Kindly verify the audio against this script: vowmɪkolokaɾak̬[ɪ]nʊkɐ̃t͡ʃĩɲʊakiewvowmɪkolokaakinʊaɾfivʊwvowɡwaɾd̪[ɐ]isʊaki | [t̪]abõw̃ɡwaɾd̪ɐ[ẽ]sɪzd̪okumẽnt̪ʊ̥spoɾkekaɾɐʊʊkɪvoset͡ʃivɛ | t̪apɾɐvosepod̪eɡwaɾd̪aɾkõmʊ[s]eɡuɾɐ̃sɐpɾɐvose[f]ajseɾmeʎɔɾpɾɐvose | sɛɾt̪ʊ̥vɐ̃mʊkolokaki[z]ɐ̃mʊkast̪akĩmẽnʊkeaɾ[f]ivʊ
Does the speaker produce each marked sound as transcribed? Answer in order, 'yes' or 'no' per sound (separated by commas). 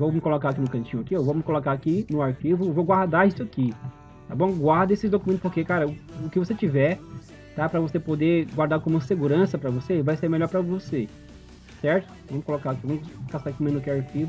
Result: no, no, yes, no, yes, no, no, yes